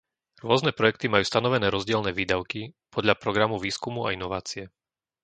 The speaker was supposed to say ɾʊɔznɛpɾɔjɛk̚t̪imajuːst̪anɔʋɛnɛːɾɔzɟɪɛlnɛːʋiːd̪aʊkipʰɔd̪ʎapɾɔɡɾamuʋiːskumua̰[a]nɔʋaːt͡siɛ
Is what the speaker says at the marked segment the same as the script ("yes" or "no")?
no